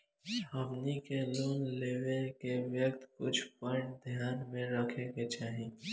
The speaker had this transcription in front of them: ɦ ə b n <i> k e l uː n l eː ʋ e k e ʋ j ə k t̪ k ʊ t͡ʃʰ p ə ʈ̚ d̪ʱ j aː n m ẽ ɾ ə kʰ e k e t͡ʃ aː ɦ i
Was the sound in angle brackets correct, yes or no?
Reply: yes